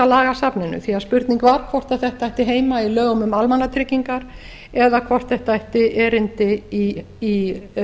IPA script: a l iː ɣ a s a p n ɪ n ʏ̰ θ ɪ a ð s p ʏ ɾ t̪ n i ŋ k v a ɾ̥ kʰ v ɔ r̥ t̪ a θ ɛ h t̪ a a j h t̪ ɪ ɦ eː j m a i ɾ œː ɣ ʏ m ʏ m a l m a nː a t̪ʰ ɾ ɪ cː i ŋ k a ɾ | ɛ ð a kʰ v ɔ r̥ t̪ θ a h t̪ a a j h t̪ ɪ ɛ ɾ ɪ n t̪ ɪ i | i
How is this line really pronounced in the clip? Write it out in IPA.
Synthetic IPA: a l aː ɣ a s a p n ɪ n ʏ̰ θ i a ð s p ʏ ɾ t̪ n i ŋ k v a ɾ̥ kʰ v ɔ r̥ t̪ a θ ɛ h t̪ a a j h t̪ ɪ ɦ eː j m a i l œː ɣ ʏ m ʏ m a l m a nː a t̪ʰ ɾ ɪ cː i ŋ k a ɾ | ɛ ð a kʰ v ɔ r̥ t̪ θ ɛ h t̪ a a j h t̪ ɪ ɛ ɾ ɪ n t̪ ɪ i | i